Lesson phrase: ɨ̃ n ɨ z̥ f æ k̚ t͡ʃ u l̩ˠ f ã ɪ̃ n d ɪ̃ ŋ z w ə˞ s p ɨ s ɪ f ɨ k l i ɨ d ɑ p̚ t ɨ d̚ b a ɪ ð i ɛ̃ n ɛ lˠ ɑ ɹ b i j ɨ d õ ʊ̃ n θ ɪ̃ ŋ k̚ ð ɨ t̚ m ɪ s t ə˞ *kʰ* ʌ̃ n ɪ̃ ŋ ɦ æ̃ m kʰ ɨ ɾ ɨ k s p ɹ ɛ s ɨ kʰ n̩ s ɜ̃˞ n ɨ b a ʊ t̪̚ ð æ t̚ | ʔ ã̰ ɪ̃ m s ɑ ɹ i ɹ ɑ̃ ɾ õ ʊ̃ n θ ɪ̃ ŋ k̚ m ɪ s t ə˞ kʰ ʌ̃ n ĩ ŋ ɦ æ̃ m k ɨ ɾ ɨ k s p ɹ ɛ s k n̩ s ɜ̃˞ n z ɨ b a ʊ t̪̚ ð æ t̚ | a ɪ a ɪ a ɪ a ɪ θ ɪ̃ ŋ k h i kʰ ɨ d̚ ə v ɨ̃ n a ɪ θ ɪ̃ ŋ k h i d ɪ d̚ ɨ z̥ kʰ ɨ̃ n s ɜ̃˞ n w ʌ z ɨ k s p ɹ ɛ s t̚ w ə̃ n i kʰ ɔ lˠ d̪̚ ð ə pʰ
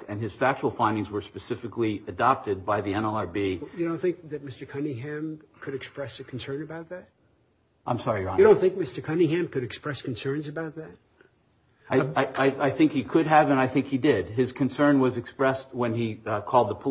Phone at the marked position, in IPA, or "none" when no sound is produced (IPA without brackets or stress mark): kʰ